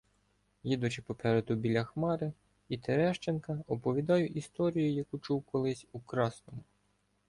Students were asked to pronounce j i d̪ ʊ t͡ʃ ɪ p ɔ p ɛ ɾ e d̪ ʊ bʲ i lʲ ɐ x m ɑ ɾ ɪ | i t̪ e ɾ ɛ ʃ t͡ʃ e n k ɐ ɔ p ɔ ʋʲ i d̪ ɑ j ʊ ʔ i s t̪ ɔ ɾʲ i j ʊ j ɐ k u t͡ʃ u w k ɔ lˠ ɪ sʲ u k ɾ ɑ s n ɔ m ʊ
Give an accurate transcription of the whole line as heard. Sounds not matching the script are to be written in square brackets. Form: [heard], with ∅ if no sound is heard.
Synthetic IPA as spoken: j i d̪ ʊ t͡ʃ ɪ p ɔ p ɛ ɾ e d̪ ʊ bʲ i lʲ ɐ x m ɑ ɾ ɪ | i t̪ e ɾ ɛ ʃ t͡ʃ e n k ɐ ɔ p ɔ ʋʲ i d̪ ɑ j ʊ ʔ i s t̪ ɔ ɾʲ i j ʊ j ɐ k u t͡ʃ u w k ɔ lˠ ɪ sʲ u k ɾ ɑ s n ɔ m ʊ